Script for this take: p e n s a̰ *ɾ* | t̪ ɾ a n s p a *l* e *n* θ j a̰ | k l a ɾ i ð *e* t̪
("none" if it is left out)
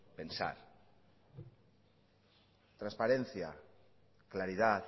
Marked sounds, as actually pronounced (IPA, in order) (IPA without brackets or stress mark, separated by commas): ɾ, ɾ, n, a